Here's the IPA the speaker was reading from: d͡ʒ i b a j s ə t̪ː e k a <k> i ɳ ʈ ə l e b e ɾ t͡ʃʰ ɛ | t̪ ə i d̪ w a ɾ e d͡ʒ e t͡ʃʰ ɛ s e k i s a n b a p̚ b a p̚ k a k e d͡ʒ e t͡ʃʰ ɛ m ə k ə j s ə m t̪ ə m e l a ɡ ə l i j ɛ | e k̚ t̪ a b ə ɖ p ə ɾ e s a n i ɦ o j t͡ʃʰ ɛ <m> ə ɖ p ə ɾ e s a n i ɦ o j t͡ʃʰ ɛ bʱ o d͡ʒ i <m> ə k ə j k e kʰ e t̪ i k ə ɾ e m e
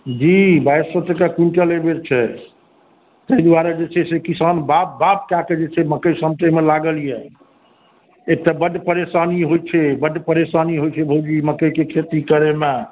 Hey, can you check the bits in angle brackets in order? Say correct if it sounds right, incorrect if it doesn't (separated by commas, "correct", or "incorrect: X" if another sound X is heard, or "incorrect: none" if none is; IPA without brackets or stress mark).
correct, incorrect: b, correct